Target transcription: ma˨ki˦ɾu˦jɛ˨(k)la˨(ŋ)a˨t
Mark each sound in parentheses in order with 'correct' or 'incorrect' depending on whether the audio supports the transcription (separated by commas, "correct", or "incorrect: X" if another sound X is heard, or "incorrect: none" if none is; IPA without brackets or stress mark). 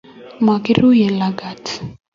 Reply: incorrect: none, incorrect: ɡ